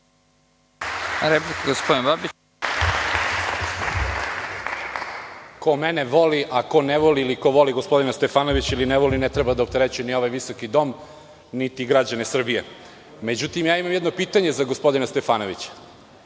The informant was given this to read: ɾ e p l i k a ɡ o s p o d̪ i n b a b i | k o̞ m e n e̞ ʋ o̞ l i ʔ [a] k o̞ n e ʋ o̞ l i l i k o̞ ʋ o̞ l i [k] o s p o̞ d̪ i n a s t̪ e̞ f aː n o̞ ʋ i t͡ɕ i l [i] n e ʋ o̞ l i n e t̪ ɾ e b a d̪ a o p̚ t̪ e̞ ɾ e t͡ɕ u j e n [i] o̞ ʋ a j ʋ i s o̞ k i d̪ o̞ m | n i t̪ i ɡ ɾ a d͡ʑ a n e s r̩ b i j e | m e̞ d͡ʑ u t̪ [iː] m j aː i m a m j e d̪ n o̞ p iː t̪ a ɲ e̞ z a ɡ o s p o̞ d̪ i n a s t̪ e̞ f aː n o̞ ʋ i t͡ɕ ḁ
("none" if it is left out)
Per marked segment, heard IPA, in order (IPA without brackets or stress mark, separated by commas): a, ɡ, i, i, i